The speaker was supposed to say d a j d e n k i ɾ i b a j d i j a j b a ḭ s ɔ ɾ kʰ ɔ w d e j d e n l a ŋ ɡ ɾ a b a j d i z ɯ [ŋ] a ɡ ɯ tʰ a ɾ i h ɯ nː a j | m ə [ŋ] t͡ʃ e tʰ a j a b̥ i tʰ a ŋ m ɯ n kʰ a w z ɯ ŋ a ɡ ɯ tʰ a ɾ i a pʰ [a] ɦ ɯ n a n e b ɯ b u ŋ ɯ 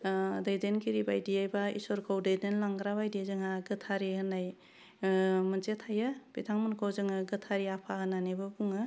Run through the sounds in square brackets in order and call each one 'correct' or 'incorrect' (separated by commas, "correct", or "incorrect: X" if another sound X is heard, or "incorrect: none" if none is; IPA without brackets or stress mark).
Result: correct, incorrect: n, correct